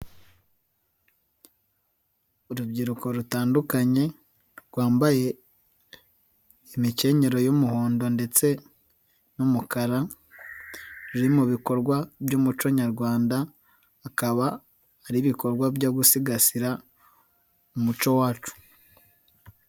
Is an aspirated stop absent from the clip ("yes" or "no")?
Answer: yes